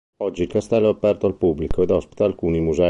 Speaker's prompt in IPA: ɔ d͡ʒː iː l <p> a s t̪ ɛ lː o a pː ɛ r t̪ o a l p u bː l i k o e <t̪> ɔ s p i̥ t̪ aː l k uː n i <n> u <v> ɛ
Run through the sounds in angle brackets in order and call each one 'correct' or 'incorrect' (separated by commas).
incorrect, incorrect, incorrect, incorrect